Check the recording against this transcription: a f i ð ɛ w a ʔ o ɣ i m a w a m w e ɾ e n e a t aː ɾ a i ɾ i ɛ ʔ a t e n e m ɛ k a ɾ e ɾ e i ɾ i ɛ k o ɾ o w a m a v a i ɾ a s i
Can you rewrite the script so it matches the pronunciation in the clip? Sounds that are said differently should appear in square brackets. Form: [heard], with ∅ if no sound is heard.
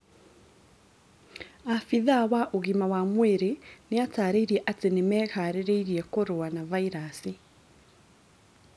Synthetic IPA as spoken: a f i ð [a] w a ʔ o ɣ i m a w a m w e ɾ e n e a t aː ɾ [e] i ɾ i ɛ ʔ a t e n e m ɛ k a ɾ e ɾ e i ɾ i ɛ k o ɾ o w a [n] a v a i ɾ a s i